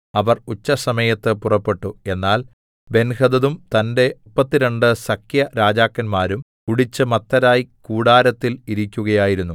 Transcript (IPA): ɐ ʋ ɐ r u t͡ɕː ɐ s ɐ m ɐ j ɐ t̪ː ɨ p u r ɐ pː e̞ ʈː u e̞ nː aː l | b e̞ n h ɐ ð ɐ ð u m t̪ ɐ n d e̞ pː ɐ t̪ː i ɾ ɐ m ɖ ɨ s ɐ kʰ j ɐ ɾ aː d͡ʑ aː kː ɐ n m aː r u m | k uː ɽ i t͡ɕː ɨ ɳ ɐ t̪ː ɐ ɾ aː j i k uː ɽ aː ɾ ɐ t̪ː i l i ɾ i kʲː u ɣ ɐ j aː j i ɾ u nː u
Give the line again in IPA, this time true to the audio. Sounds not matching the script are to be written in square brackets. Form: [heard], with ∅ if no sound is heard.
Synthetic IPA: ɐ ʋ ɐ r u t͡ɕː ɐ s ɐ m ɐ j ɐ t̪ː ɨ p u r ɐ pː e̞ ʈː u e̞ nː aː l | b e̞ n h ɐ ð ɐ ð u m t̪ ɐ n d e̞ pː ɐ t̪ː i ɾ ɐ [ɳ] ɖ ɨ s ɐ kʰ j ɐ ɾ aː d͡ʑ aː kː ɐ n m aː [ɾ] u m | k [u] ɽ i t͡ɕː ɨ [m] ɐ t̪ː ɐ ɾ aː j i k uː ɽ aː ɾ ɐ t̪ː i l i ɾ i kʲː u ɣ ɐ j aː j i ɾ u nː u